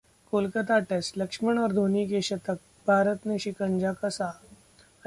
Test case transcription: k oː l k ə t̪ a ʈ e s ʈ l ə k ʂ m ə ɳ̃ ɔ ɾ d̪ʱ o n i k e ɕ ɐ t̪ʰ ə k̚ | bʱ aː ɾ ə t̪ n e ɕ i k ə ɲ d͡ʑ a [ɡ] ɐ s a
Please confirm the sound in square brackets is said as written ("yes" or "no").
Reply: no